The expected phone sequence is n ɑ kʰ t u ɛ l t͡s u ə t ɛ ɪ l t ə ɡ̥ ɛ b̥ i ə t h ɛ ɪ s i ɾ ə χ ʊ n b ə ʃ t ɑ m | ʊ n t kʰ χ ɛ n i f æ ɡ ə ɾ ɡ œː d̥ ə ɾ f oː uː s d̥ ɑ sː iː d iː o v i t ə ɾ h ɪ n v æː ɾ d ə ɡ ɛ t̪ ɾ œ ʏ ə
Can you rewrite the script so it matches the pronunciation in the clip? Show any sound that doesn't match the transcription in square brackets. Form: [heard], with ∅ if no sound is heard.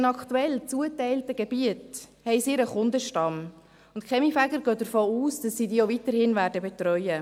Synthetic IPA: n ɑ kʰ t u ɛ l t͡s u ə t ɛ ɪ l t ə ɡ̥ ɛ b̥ i ə t h ɛ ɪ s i ɾ ə χ ʊ n [d] ə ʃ t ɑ m | ʊ n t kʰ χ ɛ [m] i f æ ɡ ə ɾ ɡ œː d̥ ə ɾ f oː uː s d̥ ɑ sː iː d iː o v i t ə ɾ h ɪ n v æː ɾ d ə [b] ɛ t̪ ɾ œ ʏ ə

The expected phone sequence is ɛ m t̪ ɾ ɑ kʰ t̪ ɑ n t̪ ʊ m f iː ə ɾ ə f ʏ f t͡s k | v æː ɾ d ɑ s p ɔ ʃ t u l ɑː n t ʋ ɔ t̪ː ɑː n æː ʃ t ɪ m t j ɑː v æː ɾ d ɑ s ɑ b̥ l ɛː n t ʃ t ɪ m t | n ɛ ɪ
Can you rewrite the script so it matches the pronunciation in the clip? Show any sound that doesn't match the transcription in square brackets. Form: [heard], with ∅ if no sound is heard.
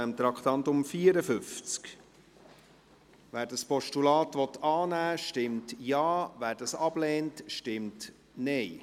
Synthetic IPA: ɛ m t̪ ɾ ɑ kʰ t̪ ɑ n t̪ ʊ m f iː ə ɾ ə f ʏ f t͡s k | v æː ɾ d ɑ s p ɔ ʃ t u l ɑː [∅] t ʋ ɔ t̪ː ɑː n æː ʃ t ɪ m t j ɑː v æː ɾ d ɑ s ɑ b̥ l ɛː n t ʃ t ɪ m t | n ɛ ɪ

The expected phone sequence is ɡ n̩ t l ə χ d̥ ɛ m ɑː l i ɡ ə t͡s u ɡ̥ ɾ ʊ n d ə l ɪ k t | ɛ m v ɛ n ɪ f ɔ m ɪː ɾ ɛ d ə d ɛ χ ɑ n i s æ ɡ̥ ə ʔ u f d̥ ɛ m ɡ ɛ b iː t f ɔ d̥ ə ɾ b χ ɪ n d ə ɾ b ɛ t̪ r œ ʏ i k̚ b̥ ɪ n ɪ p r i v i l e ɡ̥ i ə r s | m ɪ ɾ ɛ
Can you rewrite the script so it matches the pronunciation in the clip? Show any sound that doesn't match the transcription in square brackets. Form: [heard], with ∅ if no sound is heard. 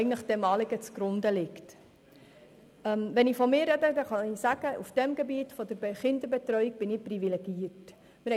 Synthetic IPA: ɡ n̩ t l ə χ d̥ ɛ m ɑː l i ɡ ə t͡s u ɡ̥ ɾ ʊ n d ə l ɪ k t | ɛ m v ɛ n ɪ f ɔ m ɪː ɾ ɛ d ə d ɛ χ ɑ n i s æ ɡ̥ ə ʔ u f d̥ ɛ m ɡ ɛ b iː t f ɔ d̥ ə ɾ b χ ɪ n d ə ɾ b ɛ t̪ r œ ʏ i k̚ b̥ ɪ n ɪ p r i v i l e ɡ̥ i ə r [t] | m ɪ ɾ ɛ

